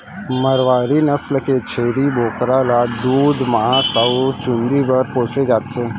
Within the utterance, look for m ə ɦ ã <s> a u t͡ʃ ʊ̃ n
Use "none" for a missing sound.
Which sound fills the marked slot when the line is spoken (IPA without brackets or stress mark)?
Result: s